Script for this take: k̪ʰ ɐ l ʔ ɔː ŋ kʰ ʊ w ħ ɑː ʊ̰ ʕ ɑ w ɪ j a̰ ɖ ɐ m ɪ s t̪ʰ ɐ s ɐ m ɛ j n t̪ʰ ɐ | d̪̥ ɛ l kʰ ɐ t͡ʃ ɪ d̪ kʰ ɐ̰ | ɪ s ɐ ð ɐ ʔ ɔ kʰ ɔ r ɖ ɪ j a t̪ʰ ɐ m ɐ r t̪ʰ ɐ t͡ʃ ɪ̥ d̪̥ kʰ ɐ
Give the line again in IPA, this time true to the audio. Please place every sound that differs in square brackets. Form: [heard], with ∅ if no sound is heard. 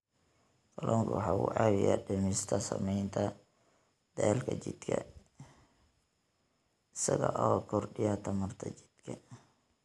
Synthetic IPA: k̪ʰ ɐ l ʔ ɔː ŋ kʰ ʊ w ħ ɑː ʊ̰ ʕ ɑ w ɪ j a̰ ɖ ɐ m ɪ s t̪ʰ ɐ s ɐ m ɛ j n t̪ʰ ɐ | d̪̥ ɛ l kʰ ɐ t͡ʃ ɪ d̪ kʰ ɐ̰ | ɪ s ɐ [ɣ] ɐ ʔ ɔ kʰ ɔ r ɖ ɪ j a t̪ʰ ɐ m ɐ r t̪ʰ ɐ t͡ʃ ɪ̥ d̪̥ kʰ ɐ